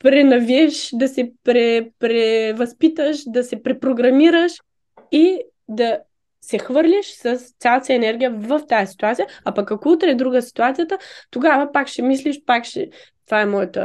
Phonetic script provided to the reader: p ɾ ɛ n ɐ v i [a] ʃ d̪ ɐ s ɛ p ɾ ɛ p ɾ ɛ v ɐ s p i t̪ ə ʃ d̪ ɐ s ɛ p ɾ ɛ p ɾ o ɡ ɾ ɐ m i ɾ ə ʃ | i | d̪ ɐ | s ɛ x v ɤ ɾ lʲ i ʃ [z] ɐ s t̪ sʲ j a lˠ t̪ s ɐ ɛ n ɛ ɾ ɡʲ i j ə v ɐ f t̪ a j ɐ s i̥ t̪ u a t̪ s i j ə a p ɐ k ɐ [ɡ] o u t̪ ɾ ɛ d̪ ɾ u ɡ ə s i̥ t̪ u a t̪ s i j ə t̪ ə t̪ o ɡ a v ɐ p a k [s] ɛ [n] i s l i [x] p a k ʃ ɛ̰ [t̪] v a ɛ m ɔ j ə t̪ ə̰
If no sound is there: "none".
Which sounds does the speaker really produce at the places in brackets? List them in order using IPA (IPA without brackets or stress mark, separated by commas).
ɛ, s, k, ʃ, m, ʃ, t̪